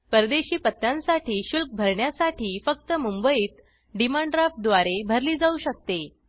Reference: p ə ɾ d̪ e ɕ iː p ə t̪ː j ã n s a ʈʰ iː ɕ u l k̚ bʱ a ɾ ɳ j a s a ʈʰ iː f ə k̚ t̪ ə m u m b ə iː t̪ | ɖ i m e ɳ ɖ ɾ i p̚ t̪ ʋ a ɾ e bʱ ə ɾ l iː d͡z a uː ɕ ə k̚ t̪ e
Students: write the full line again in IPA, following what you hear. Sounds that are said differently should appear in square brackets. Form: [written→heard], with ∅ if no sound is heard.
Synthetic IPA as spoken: p ə ɾ d̪ e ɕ iː p ə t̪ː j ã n s a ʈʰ iː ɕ u l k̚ bʱ [a→ə] ɾ ɳ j a s a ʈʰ iː f ə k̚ t̪ ə m u m b ə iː t̪ | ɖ i m [e→a] ɳ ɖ ɾ [i→a] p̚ [t̪→d̪] ʋ a ɾ e bʱ ə ɾ l iː d͡z a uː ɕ ə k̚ t̪ e

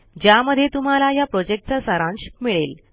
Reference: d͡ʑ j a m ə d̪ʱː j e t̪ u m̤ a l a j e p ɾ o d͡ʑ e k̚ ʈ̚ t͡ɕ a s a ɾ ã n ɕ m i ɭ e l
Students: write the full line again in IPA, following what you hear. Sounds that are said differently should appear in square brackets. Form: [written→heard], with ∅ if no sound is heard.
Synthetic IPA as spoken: d͡ʑ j a m ə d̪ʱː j e t̪ u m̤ a l a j [e→a] p ɾ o d͡ʑ e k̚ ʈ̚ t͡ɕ a s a ɾ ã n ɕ m i ɭ e l

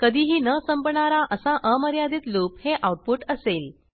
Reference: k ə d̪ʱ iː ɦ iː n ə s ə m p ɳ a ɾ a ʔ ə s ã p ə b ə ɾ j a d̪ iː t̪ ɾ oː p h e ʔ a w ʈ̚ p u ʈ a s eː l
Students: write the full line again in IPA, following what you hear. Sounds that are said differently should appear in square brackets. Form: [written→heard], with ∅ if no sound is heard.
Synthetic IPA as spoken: k ə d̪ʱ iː ɦ iː n ə s ə m p ɳ a ɾ a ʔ ə s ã [p→ʔ] ə [b→m] ə ɾ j a d̪ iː t̪ [ɾ→l] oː p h e ʔ a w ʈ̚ p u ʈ [a→ə] s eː l

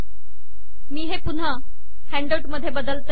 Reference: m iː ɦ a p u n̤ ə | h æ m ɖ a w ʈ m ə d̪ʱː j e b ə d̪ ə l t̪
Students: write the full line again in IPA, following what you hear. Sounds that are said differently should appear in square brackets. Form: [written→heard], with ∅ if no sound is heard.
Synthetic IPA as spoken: m iː ɦ [a→e] p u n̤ ə | h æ [m→ɳ] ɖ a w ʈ m ə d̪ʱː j e b ə d̪ ə l t̪

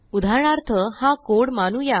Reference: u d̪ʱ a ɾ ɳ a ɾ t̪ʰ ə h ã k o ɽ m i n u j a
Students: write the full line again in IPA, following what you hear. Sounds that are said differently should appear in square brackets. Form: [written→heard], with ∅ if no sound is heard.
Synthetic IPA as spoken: u d̪ʱ a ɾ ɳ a ɾ t̪ʰ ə h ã k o ɽ m [i→a] n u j a

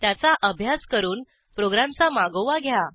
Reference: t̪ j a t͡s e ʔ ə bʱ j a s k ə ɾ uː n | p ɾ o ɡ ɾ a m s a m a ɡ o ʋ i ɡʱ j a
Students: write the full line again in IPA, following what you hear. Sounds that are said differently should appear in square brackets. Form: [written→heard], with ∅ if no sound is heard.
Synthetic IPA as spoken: t̪ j a t͡s [e→a] ʔ ə bʱ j a s k ə ɾ uː n | p ɾ o ɡ ɾ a m [s→t͡s] a m a ɡ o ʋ [i→a] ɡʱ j a

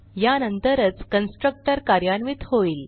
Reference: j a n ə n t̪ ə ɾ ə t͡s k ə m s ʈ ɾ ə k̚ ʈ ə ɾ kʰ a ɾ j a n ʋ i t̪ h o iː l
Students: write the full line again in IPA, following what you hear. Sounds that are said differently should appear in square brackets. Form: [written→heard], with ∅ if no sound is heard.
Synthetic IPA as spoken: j a n ə n t̪ ə ɾ ə t͡s k ə [m→n] s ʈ ɾ ə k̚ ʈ ə ɾ [kʰ→k] a ɾ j a n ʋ i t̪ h o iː l

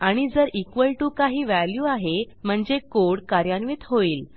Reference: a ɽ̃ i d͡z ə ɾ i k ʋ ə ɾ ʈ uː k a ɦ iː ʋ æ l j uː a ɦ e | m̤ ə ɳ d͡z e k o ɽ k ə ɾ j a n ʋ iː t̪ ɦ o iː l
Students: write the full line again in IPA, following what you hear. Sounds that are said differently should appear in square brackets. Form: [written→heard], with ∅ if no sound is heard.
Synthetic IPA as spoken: a ɽ̃ i d͡z ə ɾ i k ʋ ə [ɾ→l] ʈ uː k a ɦ iː ʋ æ l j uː a ɦ e | m̤ ə ɳ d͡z e k o ɽ k [ə→a] ɾ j a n ʋ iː t̪ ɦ o iː l

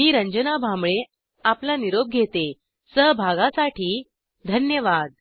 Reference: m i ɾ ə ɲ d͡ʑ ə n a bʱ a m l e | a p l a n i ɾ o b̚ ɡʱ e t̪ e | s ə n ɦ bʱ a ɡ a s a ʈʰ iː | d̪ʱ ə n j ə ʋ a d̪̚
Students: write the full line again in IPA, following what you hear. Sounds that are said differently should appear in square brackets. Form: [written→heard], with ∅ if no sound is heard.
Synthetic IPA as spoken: m [i→iː] ɾ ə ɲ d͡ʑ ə n a bʱ a m [l→ɭ] e | a p l a n i ɾ o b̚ ɡʱ e t̪ e | s ə [n→∅] ɦ bʱ a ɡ a s a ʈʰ iː | d̪ʱ ə n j ə ʋ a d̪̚

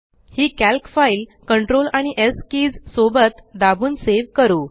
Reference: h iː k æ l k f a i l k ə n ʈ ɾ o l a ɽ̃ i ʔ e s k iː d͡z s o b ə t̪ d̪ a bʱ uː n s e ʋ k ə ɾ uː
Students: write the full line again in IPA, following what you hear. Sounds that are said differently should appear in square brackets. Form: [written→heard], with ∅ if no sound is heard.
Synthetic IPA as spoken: h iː k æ l k f a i l k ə [n→ɳ] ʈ ɾ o l a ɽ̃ i ʔ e s k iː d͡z s o b ə t̪ d̪ a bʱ uː n s e ʋ k ə ɾ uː

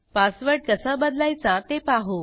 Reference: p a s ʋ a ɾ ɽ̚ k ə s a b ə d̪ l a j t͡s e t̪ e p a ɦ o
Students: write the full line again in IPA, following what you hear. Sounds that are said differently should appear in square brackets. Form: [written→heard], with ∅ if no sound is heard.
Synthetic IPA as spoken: p a s ʋ [a→ə] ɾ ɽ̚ k ə s a b ə d̪ l a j t͡s [e→a] t̪ e p a ɦ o

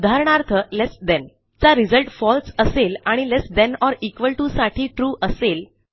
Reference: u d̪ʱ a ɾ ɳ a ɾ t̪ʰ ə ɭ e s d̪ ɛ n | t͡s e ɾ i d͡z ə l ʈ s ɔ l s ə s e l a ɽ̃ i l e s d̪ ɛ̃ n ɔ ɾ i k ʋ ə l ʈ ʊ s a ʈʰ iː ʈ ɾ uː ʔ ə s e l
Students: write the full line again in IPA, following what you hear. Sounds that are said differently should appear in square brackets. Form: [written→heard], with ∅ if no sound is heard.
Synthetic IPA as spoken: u d̪ʱ a ɾ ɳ a ɾ t̪ʰ ə [ɭ→l] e s d̪ ɛ n | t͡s [e→a] ɾ i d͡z ə l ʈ [s→f] ɔ l s ə s e l a ɽ̃ i l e s d̪ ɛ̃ n ɔ ɾ i k ʋ ə l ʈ [ʊ→u] s a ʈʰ iː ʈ ɾ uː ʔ ə s e l

